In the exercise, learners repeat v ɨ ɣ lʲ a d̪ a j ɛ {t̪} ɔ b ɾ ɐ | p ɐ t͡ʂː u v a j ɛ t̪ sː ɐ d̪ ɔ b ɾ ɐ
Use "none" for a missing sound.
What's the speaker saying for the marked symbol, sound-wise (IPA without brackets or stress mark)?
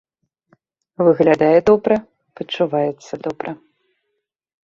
d̪